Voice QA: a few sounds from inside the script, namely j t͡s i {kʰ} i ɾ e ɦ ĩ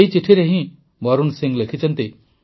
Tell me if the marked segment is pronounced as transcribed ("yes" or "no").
no